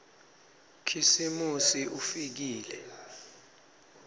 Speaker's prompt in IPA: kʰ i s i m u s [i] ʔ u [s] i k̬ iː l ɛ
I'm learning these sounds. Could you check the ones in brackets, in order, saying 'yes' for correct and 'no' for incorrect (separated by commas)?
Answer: yes, no